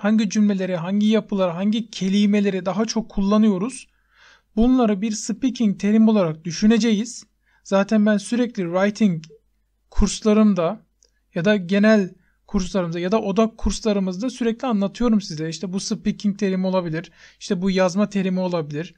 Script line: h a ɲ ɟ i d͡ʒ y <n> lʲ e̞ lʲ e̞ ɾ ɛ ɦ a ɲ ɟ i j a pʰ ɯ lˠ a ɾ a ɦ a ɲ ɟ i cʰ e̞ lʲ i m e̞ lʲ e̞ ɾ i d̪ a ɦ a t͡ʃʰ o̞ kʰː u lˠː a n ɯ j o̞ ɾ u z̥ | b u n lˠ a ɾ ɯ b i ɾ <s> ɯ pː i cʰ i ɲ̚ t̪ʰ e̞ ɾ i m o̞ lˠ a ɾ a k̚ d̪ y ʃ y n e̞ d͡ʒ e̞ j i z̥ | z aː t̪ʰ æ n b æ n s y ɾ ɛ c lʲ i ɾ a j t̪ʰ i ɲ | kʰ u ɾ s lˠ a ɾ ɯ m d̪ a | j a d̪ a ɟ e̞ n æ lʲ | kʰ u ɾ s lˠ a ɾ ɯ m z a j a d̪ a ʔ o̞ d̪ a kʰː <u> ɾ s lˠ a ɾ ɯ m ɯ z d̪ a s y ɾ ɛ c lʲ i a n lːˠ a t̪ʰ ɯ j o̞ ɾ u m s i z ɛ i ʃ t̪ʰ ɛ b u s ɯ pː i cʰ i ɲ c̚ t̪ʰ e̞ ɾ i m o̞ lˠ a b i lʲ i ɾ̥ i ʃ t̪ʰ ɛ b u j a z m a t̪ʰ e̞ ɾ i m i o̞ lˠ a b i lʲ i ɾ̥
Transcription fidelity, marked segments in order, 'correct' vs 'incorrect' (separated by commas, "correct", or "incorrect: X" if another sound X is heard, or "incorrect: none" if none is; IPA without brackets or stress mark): incorrect: m, correct, correct